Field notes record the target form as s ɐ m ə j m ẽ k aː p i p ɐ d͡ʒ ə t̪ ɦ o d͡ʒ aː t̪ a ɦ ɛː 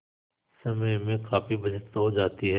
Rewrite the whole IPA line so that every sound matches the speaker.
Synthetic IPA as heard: s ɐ m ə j m ẽ k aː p i b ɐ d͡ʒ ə t̪ ɦ o d͡ʒ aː t̪ i ɦ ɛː